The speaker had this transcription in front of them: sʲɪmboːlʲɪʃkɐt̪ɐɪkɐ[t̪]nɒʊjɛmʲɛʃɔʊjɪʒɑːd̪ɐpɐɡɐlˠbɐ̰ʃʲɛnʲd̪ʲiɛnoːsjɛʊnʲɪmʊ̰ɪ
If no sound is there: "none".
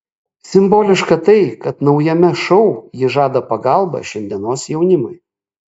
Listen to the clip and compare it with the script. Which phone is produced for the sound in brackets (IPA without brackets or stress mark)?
t̪